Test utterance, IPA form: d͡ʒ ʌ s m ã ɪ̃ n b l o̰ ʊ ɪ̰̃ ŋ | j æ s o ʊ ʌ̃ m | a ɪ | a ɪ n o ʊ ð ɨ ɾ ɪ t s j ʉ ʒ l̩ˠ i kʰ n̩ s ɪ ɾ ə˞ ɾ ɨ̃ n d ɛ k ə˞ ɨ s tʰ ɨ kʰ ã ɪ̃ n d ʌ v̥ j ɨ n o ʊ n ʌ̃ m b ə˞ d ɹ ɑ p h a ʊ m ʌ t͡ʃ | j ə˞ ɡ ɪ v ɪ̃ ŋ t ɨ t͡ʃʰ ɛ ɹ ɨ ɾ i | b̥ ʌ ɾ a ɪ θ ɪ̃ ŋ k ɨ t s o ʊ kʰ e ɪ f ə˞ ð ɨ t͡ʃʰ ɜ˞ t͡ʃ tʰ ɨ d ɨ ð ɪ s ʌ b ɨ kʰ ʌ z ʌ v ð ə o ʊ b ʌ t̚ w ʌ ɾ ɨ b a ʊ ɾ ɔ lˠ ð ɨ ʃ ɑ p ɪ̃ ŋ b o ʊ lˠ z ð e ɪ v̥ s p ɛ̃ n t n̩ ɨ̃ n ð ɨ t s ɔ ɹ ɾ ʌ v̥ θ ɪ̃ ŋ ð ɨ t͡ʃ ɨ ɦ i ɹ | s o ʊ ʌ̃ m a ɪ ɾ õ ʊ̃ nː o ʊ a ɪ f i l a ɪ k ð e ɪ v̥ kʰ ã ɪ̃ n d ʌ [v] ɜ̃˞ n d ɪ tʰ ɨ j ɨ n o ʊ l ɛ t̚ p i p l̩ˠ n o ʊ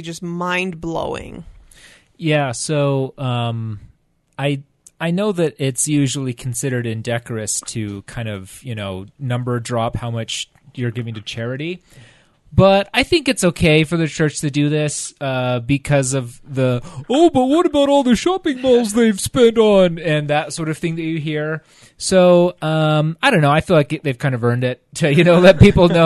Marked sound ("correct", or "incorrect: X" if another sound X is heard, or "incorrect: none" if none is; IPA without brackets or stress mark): correct